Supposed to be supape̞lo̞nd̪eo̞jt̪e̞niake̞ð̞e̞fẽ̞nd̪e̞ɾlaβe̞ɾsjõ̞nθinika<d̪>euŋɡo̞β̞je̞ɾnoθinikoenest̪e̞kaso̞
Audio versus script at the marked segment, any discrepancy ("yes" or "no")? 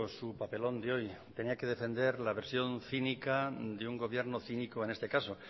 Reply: no